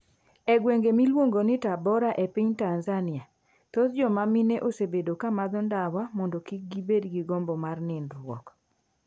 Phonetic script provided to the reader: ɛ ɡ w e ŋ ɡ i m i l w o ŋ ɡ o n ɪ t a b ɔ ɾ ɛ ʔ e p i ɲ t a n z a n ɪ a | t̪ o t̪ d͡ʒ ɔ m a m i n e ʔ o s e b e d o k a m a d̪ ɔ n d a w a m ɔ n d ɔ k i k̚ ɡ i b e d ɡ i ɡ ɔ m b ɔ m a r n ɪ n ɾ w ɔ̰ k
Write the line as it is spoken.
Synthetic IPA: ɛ ɡ w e ŋ ɡ e m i l w o ŋ ɡ o n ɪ t a b ɔ ɾ a ʔ e p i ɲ t a n z a n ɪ a | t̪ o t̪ d͡ʒ ɔ m a m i n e ʔ o s e b e d o k a m a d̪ ɔ n d a w a m ɔ n d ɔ k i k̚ ɡ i b e d ɡ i ɡ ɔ m b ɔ m a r n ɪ n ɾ w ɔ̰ k